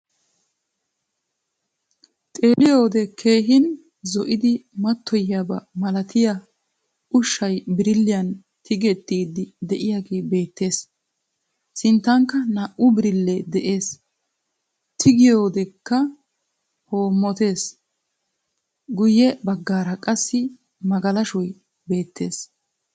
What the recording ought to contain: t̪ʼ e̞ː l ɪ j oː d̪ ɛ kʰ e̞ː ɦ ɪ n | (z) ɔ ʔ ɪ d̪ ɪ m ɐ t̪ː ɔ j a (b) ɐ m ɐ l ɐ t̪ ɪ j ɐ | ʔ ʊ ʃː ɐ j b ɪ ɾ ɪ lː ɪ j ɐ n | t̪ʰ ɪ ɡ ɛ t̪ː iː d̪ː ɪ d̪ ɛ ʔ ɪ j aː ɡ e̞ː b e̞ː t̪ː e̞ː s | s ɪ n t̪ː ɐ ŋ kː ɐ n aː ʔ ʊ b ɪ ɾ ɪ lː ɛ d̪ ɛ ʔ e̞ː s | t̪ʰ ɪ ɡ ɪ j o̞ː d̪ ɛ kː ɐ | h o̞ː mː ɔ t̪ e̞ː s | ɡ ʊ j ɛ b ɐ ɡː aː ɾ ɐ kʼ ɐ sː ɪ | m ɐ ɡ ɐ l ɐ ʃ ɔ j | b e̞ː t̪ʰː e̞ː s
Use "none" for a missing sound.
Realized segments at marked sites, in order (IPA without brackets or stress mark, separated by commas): z, b